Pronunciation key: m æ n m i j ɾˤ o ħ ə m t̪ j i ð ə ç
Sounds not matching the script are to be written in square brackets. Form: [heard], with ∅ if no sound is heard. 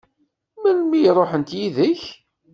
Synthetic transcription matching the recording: m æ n m i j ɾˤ o ħ ə [n] t̪ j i ð ə ç